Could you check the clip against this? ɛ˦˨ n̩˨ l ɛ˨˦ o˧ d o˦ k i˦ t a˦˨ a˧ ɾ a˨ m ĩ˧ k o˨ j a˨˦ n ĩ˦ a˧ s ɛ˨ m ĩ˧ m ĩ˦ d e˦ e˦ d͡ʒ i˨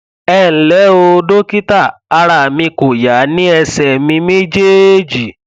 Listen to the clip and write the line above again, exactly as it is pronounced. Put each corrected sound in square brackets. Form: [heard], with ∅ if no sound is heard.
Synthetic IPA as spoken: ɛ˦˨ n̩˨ l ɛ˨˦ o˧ d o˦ k i˦ t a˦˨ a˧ ɾ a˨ m ĩ˧ k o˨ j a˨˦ n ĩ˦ [ɛ˧] s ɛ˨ m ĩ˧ m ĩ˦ [d͡ʒ] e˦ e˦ d͡ʒ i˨